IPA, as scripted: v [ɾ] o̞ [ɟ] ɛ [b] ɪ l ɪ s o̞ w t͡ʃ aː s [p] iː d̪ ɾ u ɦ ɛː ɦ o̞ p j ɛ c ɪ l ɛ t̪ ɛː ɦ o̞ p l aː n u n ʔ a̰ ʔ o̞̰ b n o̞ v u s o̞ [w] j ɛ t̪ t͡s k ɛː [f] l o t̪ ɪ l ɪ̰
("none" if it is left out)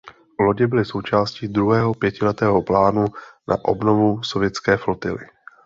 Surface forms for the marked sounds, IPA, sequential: l, ɟ, b, c, v, f

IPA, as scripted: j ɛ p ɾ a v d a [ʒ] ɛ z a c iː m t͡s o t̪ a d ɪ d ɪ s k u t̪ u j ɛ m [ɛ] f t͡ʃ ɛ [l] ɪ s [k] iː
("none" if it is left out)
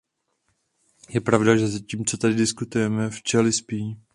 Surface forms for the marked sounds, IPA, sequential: ʒ, ɛ, l, p

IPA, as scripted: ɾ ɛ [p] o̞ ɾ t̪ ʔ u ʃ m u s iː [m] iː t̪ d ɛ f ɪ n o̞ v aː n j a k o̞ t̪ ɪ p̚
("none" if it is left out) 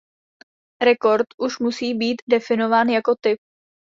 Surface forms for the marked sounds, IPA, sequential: k, b

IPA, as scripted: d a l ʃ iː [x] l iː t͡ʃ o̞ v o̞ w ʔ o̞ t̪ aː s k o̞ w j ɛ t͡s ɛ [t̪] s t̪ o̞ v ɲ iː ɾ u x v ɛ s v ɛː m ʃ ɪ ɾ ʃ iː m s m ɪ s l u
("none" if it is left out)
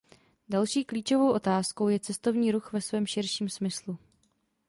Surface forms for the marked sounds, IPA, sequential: k, none

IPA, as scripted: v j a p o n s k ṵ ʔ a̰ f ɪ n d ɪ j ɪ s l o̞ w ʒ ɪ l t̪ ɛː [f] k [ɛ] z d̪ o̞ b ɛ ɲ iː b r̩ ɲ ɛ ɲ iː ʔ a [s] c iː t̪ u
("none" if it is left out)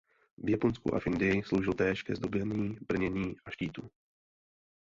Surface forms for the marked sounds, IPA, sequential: ʃ, ɛ, ʃ

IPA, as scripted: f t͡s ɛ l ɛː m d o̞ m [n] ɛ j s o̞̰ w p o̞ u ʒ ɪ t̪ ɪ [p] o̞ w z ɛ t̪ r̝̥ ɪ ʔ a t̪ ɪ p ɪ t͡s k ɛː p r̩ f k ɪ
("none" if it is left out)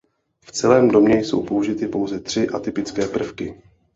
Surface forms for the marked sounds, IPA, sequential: ɲ, p

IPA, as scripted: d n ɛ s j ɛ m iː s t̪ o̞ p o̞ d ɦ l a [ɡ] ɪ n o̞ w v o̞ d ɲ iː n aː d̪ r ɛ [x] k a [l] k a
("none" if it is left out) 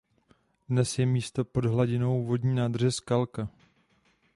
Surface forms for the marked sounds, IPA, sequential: ɟ, s, l

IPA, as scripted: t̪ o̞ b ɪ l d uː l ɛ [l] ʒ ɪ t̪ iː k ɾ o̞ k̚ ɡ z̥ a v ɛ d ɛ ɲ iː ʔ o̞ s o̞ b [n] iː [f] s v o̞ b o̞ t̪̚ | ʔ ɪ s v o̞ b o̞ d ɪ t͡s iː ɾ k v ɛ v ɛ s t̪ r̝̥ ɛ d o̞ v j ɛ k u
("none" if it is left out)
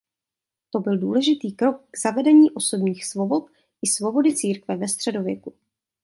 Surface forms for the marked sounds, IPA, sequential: none, ɲ, x

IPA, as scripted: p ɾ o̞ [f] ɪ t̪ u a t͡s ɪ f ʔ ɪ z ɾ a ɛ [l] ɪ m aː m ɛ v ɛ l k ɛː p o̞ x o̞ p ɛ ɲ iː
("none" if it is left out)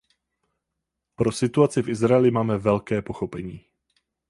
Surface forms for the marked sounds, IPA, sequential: s, l

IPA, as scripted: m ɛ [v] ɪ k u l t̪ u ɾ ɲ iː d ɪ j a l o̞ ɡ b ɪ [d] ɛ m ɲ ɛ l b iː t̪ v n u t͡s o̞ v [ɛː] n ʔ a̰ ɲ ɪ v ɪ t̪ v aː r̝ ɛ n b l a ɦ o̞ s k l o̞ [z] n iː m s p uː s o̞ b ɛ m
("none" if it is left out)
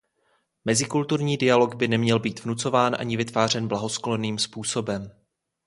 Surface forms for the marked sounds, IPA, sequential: z, n, aː, none

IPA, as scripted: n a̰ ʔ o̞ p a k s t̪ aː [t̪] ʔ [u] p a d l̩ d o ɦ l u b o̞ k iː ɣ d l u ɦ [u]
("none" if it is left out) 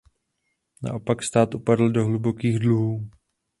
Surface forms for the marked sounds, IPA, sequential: t̪, u, uː

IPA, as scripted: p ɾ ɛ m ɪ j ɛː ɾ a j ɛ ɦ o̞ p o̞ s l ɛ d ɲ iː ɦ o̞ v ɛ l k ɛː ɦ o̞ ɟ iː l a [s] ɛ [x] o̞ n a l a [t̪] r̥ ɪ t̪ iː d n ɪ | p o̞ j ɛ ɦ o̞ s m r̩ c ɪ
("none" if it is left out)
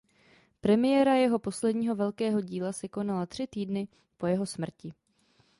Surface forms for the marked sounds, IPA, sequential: s, k, t̪

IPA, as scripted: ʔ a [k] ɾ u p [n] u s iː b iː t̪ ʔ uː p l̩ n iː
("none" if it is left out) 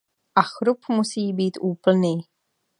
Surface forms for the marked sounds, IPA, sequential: x, m

